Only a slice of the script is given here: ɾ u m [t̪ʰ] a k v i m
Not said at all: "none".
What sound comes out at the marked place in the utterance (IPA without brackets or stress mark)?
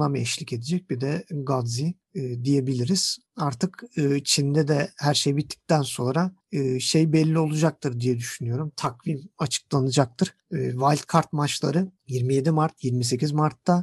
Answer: t̪ʰ